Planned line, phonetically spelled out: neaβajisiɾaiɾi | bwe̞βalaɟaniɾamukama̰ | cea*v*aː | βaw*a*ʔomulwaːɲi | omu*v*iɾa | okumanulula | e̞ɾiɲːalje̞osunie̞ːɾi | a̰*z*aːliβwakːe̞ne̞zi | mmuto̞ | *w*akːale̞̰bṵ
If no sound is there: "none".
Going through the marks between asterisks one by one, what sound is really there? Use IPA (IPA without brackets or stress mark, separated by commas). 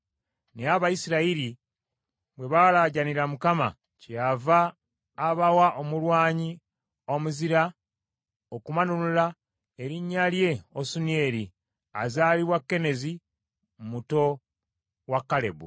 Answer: v, a, z, z, w